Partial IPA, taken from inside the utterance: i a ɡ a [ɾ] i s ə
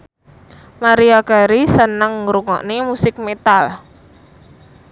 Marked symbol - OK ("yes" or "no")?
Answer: yes